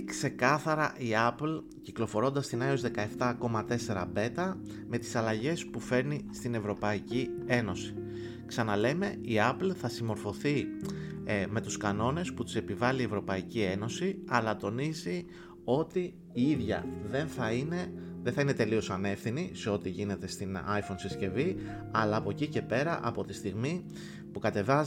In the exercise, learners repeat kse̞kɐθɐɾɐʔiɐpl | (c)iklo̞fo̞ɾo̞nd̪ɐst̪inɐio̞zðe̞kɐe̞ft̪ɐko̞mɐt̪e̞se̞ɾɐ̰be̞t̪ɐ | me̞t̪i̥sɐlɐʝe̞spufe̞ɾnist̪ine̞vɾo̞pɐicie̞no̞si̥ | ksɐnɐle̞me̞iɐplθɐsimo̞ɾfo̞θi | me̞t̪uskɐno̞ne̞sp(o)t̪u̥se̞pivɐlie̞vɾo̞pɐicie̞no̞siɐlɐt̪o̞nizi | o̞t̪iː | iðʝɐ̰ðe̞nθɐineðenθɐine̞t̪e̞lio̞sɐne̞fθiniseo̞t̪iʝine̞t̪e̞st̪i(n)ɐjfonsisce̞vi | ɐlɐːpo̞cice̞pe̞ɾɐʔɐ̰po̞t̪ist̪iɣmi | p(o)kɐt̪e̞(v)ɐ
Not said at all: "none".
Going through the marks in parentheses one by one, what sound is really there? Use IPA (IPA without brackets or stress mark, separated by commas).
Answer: c, u, n, u, v